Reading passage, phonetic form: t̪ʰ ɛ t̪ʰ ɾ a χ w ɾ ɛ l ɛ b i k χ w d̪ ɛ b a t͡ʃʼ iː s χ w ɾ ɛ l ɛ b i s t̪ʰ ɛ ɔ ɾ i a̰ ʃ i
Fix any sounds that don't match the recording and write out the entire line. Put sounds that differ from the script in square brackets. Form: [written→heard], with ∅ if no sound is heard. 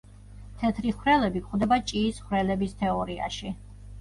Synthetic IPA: t̪ʰ ɛ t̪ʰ ɾ [a→i] χ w ɾ ɛ l ɛ b i k χ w d̪ ɛ b a t͡ʃʼ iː s χ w ɾ ɛ l ɛ b i s t̪ʰ ɛ ɔ ɾ i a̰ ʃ i